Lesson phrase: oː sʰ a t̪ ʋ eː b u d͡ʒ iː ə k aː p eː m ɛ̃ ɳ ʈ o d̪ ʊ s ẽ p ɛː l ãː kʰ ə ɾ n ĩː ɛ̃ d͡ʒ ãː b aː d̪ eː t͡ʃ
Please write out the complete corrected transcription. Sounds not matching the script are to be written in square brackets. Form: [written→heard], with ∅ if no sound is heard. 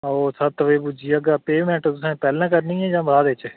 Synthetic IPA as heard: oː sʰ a t̪ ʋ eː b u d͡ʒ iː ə [k→ɡ] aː p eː m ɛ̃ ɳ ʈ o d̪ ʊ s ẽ p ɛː l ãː [kʰ→k] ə ɾ n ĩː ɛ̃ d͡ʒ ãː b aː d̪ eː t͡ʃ